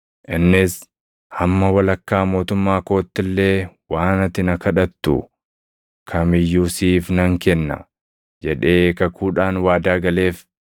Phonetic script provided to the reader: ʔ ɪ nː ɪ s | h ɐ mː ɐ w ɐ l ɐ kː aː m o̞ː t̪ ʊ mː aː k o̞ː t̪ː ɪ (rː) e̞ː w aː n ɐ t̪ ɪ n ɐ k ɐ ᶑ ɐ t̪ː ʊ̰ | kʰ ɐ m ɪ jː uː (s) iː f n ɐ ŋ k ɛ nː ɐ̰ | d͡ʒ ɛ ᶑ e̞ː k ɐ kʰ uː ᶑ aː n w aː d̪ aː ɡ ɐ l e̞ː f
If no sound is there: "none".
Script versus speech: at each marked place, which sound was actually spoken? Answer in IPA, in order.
lː, s

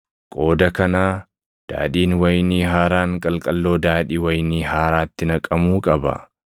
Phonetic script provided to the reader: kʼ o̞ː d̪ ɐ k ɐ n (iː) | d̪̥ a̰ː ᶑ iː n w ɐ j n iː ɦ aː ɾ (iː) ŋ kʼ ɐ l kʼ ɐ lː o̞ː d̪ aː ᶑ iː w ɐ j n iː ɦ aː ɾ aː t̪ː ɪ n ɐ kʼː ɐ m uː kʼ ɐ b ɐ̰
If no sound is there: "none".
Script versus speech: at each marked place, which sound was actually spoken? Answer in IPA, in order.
aː, aː

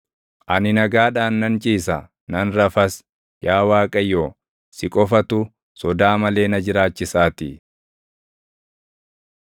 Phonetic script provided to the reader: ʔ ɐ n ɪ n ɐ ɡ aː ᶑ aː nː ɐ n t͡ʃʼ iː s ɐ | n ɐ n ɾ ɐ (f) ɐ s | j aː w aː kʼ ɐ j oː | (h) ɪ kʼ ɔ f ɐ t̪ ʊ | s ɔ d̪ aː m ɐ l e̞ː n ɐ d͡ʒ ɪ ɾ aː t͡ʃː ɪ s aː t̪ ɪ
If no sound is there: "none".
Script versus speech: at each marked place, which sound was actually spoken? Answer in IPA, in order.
f, s

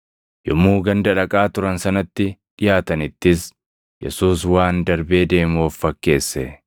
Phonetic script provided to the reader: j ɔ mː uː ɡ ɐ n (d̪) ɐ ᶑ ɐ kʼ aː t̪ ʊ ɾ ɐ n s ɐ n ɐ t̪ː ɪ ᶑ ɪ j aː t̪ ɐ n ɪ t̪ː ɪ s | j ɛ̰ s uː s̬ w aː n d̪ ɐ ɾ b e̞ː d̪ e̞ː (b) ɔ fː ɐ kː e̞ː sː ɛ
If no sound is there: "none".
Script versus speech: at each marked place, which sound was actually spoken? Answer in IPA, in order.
d̪, m

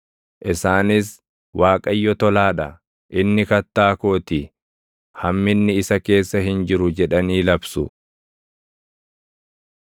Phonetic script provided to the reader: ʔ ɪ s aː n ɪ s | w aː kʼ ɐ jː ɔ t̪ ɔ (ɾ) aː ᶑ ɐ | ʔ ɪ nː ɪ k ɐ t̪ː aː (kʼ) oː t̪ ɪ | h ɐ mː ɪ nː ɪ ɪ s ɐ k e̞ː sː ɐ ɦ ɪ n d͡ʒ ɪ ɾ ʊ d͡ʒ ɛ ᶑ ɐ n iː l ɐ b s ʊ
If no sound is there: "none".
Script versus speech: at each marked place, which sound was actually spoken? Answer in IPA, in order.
l, k

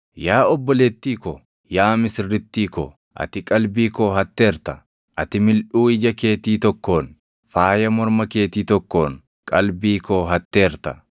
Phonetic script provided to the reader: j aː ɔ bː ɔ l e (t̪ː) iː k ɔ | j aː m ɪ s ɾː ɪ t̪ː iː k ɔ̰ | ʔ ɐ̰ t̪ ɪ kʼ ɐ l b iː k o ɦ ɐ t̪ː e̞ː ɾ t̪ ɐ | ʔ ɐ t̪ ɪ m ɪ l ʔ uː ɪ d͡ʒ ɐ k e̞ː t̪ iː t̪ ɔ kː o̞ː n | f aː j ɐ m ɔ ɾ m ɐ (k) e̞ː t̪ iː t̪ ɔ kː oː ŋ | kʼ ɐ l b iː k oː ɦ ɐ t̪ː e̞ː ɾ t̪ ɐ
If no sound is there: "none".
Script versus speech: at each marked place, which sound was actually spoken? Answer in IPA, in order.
t̪ː, k

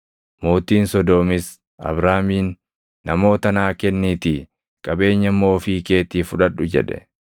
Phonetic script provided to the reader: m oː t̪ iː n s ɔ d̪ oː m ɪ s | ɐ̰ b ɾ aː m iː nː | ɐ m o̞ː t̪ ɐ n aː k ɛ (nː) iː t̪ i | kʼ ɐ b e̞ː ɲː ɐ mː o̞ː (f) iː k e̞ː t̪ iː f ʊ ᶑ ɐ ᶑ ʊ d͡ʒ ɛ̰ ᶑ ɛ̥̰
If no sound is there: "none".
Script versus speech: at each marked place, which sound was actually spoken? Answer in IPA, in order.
nː, f

